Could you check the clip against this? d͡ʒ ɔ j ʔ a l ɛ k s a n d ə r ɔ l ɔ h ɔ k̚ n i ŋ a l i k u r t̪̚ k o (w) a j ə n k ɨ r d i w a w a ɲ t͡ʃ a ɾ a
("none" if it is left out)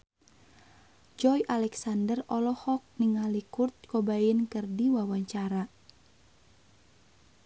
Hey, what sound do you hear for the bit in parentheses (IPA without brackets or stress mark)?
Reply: b